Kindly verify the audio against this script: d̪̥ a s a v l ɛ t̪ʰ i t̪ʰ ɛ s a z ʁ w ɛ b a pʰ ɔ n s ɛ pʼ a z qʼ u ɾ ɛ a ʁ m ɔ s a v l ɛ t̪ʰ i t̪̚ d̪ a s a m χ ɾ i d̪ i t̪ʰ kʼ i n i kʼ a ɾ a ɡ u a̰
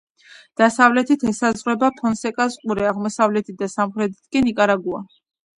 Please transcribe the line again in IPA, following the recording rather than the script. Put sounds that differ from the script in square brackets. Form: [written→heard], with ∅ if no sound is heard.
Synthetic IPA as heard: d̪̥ a s a v l ɛ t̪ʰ i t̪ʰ ɛ s a z ʁ w ɛ b a pʰ ɔ n s ɛ [pʼ→kʼ] a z qʼ u ɾ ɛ a ʁ m ɔ s a v l ɛ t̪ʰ i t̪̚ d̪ a s a m χ ɾ [i→ɛ] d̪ i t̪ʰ kʼ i n i kʼ a ɾ a ɡ u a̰

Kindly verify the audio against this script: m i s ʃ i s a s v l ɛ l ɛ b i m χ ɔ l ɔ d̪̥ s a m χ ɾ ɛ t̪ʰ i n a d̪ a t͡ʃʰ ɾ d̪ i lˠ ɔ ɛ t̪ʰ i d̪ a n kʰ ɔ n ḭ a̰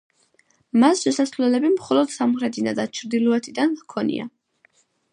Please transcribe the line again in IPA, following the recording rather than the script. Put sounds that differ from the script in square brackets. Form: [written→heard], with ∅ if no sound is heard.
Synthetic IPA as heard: m [i→a] s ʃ [i→ɛ] s a s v l ɛ l ɛ b i m χ ɔ l ɔ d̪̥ s a m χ ɾ ɛ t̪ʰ i n a d̪ a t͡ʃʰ ɾ d̪ i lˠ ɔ ɛ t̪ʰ i d̪ a n kʰ ɔ n ḭ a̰

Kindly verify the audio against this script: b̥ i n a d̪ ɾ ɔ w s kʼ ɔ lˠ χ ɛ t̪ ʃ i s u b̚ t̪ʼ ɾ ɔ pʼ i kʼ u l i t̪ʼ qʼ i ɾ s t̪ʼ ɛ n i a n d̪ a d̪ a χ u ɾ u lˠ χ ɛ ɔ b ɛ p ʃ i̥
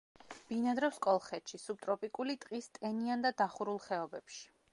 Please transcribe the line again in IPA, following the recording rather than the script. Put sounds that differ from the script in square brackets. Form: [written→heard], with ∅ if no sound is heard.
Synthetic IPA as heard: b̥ i n a d̪ ɾ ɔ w s kʼ ɔ lˠ χ ɛ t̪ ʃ i s u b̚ t̪ʼ ɾ ɔ pʼ i kʼ u l i t̪ʼ qʼ i [ɾ→∅] s t̪ʼ ɛ n i a n d̪ a d̪ a χ u ɾ u lˠ χ ɛ ɔ b ɛ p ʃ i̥

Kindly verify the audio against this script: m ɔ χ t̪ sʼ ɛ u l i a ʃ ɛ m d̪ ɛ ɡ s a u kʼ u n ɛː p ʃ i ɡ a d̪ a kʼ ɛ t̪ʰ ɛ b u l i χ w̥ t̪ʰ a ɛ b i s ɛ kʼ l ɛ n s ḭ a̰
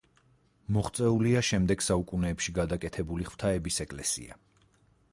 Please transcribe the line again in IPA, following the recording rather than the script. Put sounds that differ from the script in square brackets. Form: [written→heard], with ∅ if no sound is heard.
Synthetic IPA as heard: m ɔ χ t̪ sʼ ɛ u l i a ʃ ɛ m d̪ ɛ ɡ s a u kʼ u n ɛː p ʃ i ɡ a d̪ a kʼ ɛ t̪ʰ ɛ b u l i χ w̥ t̪ʰ a ɛ b i s ɛ kʼ l ɛ [n→∅] s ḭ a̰

